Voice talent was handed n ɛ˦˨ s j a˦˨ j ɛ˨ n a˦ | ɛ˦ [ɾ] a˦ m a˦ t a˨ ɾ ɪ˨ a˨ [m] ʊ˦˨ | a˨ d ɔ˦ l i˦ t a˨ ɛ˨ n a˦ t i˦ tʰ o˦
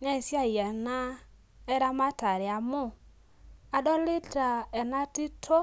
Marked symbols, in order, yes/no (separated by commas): yes, yes